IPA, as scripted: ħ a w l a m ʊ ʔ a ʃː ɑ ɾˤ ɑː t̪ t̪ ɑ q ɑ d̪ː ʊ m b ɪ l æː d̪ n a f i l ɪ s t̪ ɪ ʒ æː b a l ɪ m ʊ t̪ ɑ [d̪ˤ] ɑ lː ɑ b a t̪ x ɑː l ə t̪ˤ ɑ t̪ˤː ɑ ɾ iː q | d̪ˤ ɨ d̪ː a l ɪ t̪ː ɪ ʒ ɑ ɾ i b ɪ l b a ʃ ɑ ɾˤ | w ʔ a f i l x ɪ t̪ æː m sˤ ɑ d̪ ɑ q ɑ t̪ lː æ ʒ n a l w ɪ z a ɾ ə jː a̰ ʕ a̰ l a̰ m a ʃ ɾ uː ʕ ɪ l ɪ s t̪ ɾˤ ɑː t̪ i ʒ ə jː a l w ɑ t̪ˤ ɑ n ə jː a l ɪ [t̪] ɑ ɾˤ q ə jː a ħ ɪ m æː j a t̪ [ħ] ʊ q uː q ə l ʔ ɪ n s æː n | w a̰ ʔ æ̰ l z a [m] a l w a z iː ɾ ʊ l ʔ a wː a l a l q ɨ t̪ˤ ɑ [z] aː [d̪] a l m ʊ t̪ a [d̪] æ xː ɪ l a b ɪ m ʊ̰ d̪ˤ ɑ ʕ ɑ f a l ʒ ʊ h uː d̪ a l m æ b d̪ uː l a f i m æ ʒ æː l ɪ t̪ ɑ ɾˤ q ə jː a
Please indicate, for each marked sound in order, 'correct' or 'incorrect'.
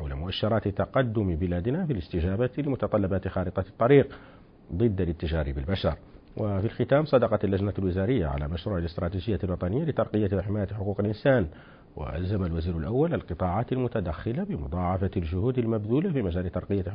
incorrect: t̪ˤ, correct, correct, correct, incorrect: ʕ, incorrect: t̪, correct

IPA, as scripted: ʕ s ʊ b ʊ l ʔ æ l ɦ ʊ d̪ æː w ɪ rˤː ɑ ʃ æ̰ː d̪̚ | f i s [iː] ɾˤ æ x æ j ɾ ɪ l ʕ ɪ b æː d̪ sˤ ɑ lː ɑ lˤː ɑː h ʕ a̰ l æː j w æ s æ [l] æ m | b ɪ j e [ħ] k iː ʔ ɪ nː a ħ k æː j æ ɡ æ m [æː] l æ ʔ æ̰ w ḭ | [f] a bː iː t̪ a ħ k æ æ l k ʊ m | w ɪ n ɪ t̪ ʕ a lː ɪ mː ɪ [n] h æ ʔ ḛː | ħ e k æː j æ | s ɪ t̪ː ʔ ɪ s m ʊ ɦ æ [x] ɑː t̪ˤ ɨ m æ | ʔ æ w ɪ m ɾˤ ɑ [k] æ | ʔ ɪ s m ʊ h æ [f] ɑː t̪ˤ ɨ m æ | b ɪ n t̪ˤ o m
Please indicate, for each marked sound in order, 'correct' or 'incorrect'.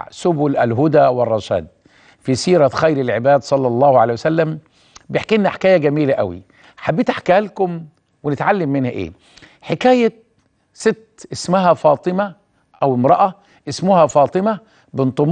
correct, incorrect: lː, correct, incorrect: iː, incorrect: ħ, correct, incorrect: f, incorrect: ʔ, correct

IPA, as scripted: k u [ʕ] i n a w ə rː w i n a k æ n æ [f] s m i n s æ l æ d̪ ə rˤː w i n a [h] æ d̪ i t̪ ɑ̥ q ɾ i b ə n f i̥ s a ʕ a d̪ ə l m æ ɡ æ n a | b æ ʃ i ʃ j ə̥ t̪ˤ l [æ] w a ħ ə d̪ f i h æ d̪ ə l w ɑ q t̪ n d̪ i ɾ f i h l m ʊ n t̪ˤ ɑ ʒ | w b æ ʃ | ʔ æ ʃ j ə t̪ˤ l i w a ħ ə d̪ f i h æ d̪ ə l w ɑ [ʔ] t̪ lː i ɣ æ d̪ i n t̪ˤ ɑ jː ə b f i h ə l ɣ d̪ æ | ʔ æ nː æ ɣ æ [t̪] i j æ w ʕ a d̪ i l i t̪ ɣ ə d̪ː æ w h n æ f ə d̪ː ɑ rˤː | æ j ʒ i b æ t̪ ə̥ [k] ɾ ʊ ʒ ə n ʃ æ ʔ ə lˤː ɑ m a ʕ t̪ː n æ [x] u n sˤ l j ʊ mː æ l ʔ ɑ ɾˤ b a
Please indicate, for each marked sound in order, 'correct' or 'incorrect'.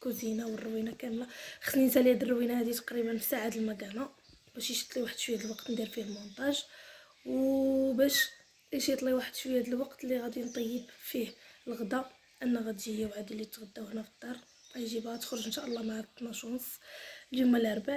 incorrect: z, incorrect: x, correct, incorrect: i, incorrect: q, incorrect: d̪, incorrect: x, incorrect: ʃ

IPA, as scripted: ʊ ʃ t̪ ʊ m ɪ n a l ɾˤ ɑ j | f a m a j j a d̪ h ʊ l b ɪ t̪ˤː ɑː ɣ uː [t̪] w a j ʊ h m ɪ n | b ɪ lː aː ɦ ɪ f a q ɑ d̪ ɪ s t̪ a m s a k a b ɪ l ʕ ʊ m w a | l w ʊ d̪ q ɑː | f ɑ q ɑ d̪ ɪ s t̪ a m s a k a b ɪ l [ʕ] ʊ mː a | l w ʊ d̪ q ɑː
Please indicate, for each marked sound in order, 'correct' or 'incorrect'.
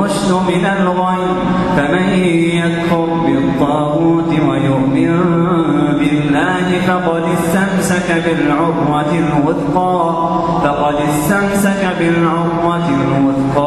correct, correct

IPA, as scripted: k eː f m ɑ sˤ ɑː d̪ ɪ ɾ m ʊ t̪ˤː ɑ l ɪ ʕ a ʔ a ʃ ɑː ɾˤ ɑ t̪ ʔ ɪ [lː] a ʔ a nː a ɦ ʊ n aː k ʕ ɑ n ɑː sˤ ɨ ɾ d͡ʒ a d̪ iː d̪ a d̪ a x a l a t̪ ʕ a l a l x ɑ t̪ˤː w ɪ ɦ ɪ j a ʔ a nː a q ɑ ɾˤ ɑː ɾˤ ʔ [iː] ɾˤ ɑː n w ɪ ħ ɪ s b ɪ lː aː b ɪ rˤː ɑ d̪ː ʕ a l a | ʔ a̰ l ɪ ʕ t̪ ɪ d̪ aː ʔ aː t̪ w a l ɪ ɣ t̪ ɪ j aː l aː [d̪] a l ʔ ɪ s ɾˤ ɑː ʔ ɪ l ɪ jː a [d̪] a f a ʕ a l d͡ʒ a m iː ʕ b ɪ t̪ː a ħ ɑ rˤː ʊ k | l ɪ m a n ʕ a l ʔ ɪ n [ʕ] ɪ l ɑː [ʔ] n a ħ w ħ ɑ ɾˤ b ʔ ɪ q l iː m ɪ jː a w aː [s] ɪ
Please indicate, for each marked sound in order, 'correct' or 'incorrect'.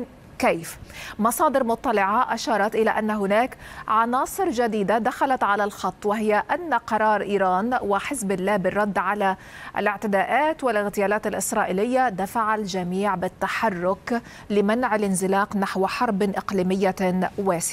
incorrect: l, correct, incorrect: t̪, correct, incorrect: z, incorrect: q, correct

